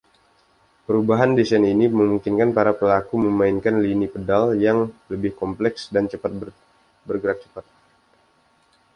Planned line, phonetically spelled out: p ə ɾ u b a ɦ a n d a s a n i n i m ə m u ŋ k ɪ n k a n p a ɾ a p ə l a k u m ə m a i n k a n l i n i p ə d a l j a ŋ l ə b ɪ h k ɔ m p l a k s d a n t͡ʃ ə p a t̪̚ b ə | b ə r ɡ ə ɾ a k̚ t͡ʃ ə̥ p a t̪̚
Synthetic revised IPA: p ə ɾ u b a ɦ a n d i s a n i n i m ə m u ŋ k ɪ n k a n p a ɾ a p ə l a k u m ə m a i n k a n l i n i p ə d a l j a ŋ l ə b ɪ h k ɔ m p l ɛ k s d a n t͡ʃ ə p a t̪̚ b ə | b ə r ɡ ə ɾ a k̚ t͡ʃ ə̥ p a t̪̚